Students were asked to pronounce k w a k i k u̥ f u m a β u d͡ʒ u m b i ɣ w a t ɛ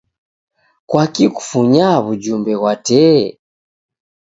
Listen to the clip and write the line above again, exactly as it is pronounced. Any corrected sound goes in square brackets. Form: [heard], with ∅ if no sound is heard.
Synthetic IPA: k w a k i k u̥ f u [ɲ] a β u d͡ʒ u m b [ɛ] ɣ w a t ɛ

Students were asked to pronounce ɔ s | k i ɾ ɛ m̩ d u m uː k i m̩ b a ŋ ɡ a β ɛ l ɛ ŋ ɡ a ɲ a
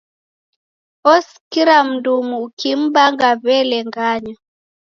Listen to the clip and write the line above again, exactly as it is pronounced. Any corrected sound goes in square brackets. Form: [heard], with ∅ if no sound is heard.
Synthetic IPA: ɔ s | k i ɾ [a] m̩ d u m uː k i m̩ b a ŋ ɡ a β ɛ l ɛ ŋ ɡ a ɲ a

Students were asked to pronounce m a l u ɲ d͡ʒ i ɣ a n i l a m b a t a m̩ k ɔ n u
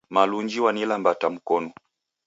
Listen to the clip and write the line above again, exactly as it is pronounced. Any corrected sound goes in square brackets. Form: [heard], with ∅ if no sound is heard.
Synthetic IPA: m a l u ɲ d͡ʒ i [w] a n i l a m b a t a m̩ k ɔ n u

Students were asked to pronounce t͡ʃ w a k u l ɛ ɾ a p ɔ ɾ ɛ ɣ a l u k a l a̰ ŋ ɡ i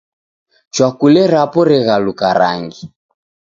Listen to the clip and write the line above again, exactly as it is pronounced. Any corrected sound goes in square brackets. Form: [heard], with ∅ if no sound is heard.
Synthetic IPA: t͡ʃ w a k u l ɛ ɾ a p ɔ ɾ ɛ ɣ a l u k a [ɾ] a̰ ŋ ɡ i

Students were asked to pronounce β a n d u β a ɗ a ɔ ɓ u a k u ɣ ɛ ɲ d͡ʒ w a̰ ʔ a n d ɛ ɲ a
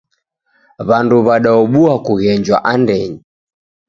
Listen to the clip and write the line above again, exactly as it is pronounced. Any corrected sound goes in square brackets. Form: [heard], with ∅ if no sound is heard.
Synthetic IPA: β a n d u β a ɗ a ɔ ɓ u a k u ɣ ɛ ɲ d͡ʒ w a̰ ʔ a n d ɛ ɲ [i]

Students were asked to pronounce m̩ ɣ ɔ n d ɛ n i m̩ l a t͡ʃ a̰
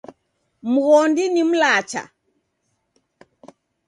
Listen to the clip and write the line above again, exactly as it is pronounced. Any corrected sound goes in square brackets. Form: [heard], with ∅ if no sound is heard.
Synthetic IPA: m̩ ɣ ɔ n d [i] n i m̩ l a t͡ʃ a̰

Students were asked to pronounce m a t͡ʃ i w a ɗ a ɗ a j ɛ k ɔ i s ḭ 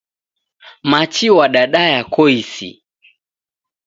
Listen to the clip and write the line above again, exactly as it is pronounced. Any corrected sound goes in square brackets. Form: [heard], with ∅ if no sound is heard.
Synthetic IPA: m a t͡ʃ i w a ɗ a ɗ a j [a] k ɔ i s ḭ

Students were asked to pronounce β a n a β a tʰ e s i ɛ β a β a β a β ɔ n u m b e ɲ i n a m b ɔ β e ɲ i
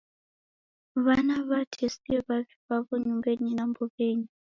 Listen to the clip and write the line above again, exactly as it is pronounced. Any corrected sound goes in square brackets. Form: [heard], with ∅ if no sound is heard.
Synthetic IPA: β a n a β a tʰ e s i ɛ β a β [i] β a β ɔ [ɲ] u m b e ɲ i n a m b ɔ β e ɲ i

